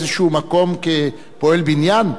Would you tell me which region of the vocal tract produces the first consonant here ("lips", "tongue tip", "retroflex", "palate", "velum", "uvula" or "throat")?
tongue tip